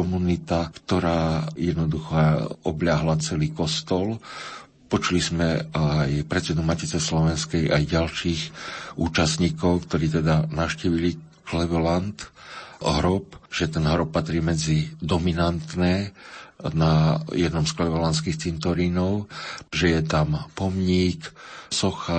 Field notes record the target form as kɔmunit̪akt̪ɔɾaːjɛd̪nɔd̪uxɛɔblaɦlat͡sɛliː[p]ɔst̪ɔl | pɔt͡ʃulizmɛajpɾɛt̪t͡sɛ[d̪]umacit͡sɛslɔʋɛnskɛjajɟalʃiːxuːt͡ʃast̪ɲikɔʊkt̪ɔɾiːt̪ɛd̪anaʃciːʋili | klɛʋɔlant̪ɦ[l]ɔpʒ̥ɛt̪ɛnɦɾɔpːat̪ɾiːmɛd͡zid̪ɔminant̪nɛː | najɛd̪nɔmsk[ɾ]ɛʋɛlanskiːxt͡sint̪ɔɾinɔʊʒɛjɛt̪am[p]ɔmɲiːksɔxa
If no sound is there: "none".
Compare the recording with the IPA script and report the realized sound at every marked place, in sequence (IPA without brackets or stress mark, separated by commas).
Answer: k, d̪, ɾ, l, p